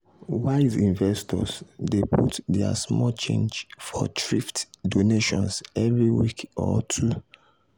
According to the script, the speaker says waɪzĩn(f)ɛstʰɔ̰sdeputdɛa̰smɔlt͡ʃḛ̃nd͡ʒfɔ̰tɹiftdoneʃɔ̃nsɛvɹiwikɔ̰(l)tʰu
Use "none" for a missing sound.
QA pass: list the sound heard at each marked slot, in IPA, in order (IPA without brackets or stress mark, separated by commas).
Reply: v, none